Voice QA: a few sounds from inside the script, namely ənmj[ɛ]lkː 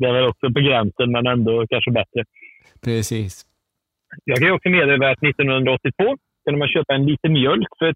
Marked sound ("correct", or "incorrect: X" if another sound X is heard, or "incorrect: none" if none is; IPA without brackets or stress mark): incorrect: œ